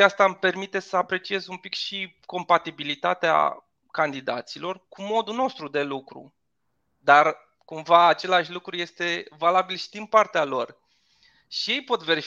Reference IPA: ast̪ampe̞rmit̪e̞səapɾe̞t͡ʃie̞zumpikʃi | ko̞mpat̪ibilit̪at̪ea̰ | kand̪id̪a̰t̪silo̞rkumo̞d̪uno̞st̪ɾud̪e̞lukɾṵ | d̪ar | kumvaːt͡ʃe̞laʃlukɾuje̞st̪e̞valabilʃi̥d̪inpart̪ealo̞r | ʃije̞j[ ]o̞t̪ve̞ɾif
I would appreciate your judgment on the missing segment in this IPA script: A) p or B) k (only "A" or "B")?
A